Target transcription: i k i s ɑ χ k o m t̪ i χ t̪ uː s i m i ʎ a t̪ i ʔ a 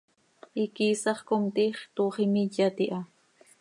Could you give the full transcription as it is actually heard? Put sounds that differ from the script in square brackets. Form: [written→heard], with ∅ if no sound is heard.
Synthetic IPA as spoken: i k i s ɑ χ k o m t̪ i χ t̪ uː [s→χ] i m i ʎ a t̪ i ʔ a